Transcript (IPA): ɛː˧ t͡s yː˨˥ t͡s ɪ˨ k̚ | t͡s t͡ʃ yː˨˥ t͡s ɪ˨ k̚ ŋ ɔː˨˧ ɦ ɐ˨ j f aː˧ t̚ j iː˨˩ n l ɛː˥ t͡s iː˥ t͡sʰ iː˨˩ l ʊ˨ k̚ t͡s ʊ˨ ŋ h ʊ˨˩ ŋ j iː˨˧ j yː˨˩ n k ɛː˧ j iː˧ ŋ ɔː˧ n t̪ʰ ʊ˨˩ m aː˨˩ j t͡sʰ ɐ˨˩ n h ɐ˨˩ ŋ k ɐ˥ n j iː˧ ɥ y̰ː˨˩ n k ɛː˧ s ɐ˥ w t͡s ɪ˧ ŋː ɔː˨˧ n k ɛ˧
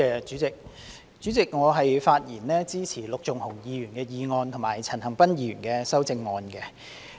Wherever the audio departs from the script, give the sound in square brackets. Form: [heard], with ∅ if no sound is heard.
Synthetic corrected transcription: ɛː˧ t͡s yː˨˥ t͡s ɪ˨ k̚ | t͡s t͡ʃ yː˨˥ t͡s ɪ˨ k̚ ŋ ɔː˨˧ ɦ ɐ˨ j f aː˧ t̚ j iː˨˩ n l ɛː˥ t͡s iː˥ t͡sʰ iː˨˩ l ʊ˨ k̚ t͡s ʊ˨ ŋ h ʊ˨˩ ŋ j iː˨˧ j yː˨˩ n k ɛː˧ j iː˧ ŋ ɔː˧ n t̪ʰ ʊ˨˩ m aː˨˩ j t͡sʰ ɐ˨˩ n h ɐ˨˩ ŋ [p] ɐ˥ n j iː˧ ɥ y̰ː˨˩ n k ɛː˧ s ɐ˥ w t͡s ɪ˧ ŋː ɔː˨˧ n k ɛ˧